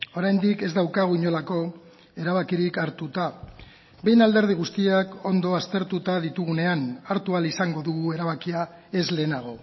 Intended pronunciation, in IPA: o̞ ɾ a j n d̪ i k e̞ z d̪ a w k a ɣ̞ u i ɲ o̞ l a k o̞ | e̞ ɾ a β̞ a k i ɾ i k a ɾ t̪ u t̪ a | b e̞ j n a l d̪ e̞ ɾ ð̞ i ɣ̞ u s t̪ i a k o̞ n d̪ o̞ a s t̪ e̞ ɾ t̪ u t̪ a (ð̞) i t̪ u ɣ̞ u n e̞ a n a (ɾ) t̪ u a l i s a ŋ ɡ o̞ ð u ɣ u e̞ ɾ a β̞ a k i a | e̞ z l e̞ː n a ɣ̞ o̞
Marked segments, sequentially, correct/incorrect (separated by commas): correct, correct